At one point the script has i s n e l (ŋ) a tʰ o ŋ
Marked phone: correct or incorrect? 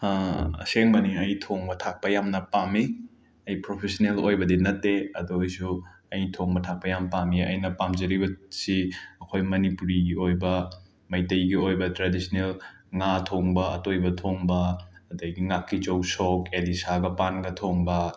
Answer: correct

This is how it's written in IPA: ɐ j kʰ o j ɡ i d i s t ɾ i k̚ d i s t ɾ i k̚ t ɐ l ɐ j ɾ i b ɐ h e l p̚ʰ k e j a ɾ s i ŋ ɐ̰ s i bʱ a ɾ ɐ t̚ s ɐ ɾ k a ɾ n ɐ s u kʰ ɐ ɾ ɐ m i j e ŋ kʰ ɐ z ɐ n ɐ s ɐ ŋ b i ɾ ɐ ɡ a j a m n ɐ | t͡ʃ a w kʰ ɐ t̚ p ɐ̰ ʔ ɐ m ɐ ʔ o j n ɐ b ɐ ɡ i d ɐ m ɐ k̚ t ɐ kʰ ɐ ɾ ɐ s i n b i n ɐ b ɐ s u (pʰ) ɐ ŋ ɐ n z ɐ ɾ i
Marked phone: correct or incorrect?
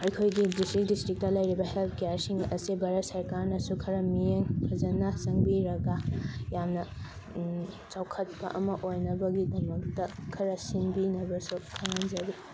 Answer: incorrect: kʰ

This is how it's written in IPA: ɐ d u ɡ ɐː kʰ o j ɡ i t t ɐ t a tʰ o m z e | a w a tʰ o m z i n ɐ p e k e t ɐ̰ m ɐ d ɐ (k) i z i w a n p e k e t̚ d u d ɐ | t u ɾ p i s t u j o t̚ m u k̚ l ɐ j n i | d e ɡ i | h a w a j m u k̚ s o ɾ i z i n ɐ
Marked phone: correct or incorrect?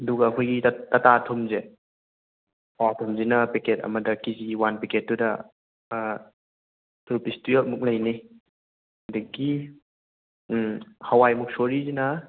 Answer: correct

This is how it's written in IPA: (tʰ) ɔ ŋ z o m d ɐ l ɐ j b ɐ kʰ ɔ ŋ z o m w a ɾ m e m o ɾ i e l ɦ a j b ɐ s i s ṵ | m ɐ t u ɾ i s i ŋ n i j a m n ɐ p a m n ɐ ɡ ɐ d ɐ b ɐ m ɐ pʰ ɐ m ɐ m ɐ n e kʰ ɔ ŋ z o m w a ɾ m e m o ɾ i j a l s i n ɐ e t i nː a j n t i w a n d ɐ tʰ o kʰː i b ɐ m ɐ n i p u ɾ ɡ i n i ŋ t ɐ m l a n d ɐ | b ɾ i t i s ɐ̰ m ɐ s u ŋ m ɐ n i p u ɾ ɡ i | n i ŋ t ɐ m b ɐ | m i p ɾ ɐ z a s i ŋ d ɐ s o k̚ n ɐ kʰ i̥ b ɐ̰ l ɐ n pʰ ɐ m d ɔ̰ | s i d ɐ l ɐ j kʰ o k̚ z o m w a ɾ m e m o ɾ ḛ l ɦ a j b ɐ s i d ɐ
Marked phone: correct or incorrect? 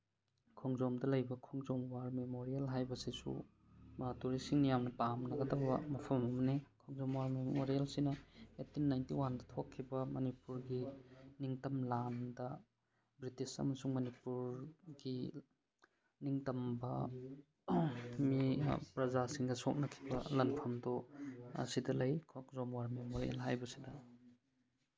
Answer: incorrect: kʰ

